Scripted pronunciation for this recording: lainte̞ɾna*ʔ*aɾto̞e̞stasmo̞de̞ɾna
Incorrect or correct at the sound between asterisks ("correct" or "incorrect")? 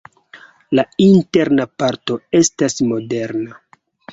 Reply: incorrect